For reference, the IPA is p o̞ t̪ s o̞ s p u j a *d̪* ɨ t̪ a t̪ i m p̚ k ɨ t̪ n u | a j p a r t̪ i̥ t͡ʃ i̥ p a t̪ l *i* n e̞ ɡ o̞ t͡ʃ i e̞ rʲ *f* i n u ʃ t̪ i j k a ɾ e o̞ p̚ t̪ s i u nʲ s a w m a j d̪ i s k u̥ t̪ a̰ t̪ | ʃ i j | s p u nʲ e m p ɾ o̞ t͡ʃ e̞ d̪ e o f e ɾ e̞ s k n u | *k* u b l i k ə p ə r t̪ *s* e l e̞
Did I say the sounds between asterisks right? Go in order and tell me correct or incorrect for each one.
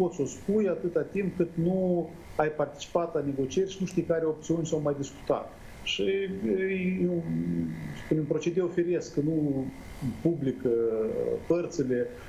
incorrect: t̪, incorrect: a, incorrect: ʃ, incorrect: p, correct

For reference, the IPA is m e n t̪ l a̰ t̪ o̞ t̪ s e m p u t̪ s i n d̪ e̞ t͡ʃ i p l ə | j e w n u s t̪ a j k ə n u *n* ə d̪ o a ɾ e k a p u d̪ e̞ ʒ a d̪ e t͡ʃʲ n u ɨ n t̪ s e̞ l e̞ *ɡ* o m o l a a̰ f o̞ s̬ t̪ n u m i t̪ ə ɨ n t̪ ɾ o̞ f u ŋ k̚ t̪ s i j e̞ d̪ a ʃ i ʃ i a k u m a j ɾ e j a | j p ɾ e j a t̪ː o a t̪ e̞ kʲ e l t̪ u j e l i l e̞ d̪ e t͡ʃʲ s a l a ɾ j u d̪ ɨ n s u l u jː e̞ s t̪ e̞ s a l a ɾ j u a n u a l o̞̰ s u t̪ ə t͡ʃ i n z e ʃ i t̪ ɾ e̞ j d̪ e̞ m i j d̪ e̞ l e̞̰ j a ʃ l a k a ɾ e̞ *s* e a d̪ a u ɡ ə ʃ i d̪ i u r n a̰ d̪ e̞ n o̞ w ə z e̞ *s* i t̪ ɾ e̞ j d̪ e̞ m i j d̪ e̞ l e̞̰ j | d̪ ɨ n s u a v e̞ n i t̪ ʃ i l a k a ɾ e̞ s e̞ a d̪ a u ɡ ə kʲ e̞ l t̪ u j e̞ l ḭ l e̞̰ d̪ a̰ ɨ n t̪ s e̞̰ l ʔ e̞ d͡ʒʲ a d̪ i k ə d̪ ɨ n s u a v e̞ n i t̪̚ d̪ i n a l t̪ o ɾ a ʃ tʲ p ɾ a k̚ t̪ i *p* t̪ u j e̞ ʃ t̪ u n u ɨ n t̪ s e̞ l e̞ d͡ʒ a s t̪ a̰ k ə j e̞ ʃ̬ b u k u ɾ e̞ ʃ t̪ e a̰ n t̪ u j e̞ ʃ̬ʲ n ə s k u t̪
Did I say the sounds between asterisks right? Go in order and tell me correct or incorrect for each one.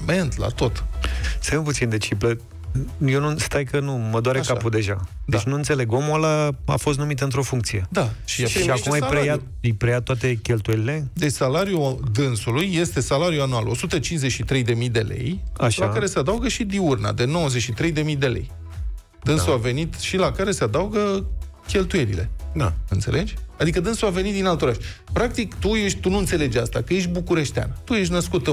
incorrect: m, correct, correct, incorrect: ʃ, incorrect: k

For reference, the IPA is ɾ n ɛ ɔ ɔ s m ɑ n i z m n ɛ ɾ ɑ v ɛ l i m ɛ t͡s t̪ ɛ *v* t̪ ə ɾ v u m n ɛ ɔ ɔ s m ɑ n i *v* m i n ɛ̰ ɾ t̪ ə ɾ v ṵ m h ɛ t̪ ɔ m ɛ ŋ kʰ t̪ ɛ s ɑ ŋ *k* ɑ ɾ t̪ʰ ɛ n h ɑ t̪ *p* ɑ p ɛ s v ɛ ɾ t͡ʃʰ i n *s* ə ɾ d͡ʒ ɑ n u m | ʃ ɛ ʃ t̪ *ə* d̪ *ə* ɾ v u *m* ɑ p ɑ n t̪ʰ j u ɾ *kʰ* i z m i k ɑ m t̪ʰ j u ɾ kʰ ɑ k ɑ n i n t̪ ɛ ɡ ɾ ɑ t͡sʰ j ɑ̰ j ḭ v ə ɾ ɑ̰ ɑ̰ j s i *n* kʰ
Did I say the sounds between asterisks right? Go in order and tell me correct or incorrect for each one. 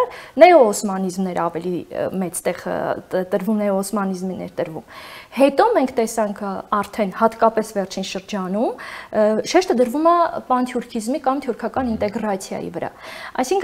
incorrect: ʁ, incorrect: z, incorrect: kʰ, incorrect: k, incorrect: ʃ, correct, correct, correct, correct, incorrect: ŋ

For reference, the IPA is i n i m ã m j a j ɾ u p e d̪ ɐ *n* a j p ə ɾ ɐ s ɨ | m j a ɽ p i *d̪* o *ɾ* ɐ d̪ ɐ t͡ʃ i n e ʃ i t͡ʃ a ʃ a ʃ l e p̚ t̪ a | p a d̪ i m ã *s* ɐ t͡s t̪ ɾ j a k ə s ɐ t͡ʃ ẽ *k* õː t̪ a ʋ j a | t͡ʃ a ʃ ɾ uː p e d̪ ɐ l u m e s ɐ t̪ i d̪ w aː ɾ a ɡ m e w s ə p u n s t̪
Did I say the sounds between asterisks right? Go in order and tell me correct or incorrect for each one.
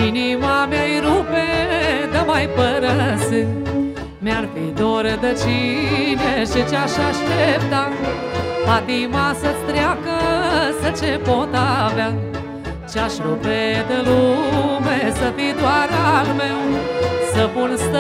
incorrect: m, correct, correct, correct, incorrect: p

